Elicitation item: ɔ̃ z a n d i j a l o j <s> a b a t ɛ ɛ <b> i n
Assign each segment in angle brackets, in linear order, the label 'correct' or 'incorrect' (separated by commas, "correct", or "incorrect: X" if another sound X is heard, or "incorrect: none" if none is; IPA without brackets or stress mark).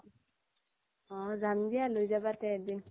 incorrect: z, incorrect: d